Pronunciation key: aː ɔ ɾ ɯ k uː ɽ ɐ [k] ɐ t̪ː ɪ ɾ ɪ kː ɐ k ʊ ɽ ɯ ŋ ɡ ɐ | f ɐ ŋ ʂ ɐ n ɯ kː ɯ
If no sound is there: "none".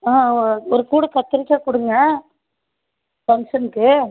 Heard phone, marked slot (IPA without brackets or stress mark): k